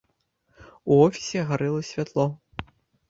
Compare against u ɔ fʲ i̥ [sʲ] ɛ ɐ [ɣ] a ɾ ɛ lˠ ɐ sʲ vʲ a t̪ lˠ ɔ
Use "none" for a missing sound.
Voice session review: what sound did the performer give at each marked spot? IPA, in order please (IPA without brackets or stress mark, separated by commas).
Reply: sʲ, ɣ